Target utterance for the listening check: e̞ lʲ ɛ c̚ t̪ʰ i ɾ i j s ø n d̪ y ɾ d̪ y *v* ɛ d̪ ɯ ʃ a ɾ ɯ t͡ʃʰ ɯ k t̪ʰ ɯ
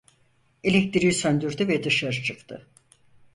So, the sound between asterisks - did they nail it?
yes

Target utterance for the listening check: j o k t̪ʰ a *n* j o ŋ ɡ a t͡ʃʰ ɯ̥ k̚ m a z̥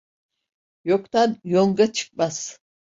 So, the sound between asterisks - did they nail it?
yes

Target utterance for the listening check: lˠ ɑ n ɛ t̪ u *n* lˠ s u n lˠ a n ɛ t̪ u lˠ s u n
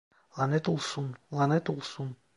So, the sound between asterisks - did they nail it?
no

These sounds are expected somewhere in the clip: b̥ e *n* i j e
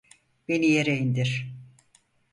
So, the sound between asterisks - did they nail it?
yes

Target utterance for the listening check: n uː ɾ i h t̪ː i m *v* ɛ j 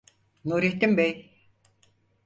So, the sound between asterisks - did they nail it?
no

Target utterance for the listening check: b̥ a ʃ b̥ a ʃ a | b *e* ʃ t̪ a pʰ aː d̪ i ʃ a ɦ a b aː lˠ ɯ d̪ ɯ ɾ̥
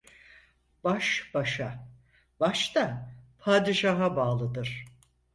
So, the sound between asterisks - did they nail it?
no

